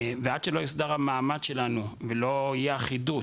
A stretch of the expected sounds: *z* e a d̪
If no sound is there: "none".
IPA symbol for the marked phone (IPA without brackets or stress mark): v